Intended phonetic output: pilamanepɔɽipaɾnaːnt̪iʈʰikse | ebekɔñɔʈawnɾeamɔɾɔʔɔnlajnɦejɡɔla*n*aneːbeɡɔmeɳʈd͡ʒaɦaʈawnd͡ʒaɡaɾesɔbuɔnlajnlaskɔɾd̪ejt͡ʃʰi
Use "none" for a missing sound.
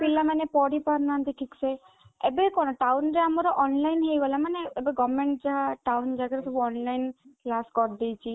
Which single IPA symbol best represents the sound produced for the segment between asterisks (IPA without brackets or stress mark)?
m